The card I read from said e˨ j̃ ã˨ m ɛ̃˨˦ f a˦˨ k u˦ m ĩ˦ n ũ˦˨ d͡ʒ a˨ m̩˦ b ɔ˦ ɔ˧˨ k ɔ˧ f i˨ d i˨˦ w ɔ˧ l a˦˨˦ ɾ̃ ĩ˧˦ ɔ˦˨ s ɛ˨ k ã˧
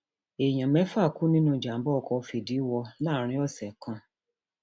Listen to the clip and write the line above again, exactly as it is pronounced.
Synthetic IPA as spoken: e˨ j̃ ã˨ m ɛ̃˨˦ f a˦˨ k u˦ n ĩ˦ n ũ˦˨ d͡ʒ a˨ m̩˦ b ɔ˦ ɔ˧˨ k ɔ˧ f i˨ d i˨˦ w ɔ˧ l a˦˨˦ ɾ̃ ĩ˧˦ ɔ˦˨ s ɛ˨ k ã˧